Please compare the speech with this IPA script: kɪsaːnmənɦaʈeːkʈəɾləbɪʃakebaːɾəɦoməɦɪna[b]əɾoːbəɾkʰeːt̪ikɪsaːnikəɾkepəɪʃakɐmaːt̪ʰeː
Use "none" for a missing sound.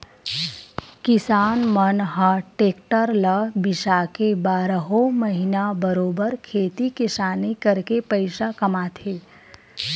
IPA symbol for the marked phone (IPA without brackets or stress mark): b